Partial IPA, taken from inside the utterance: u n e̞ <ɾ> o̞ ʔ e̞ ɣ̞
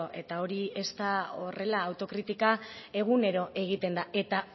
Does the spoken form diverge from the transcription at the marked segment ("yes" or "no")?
no